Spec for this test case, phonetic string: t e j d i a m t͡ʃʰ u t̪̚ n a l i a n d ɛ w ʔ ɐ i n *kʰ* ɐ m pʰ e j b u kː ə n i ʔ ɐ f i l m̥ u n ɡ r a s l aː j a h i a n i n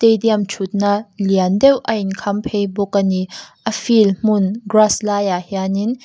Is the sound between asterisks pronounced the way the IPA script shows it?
yes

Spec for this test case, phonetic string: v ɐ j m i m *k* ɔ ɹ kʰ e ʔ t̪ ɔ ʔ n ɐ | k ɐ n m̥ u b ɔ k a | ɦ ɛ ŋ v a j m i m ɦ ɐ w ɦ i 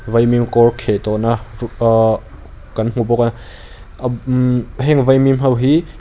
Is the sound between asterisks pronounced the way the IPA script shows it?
yes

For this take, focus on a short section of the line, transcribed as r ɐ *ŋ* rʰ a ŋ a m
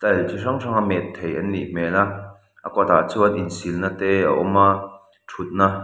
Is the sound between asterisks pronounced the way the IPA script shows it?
yes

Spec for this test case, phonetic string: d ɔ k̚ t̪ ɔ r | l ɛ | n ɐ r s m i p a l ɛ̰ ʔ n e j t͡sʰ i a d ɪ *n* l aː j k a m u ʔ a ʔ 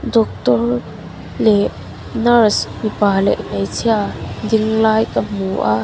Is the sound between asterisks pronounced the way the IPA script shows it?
no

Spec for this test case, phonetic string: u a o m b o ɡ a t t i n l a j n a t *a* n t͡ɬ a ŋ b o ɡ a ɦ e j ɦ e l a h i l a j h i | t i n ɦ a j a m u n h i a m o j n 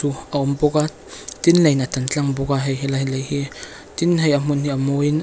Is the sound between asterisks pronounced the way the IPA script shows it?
yes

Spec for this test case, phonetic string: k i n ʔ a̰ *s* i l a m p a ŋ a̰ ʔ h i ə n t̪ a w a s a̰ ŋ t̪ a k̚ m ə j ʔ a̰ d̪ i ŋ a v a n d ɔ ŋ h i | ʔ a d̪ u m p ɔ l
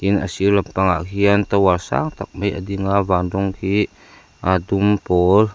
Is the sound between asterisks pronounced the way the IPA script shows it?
yes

